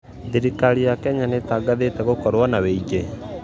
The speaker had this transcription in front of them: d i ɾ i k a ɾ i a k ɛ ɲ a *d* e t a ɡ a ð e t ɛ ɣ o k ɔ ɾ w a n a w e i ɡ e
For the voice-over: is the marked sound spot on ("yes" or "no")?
no